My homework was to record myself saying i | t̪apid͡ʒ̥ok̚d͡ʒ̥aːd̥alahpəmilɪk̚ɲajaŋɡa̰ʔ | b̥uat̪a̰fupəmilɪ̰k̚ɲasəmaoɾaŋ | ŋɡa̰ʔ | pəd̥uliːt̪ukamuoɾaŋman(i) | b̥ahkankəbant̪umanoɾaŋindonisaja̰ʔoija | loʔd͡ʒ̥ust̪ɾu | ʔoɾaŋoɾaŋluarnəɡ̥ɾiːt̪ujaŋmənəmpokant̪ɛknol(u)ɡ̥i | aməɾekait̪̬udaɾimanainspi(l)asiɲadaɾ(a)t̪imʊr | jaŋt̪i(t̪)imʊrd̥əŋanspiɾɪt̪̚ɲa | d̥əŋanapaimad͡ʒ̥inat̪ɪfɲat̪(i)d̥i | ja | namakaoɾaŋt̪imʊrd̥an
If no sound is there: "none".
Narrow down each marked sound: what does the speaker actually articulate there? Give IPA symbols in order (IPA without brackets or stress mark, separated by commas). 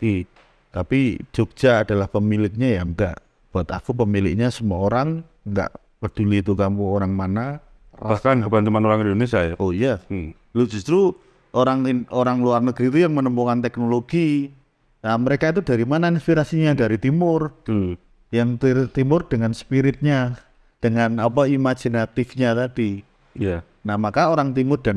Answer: a, o, ɾ, i, t̪, a